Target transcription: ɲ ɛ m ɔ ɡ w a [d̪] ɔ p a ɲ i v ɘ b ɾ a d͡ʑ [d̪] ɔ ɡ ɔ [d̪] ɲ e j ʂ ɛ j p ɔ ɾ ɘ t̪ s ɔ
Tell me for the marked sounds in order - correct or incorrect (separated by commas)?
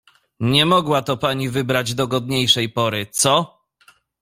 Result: incorrect, correct, correct